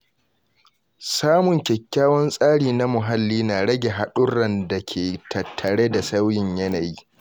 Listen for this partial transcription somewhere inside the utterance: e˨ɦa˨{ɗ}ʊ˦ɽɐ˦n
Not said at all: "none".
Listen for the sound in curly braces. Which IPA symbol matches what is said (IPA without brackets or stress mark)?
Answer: ɗ